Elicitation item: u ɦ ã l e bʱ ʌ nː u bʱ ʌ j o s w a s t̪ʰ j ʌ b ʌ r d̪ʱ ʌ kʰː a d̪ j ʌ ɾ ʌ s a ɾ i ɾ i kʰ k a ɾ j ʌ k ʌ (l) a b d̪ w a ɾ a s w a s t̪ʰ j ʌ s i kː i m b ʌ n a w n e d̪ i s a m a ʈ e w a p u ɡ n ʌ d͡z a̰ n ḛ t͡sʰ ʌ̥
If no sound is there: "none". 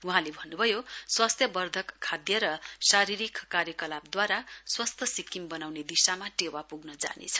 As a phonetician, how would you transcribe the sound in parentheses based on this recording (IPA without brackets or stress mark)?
l